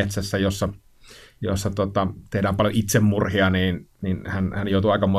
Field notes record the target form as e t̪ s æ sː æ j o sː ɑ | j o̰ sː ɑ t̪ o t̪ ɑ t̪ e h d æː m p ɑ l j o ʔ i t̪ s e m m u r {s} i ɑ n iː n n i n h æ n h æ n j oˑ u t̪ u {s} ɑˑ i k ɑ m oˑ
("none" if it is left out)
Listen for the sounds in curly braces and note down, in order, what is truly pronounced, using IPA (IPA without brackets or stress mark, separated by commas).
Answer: h, none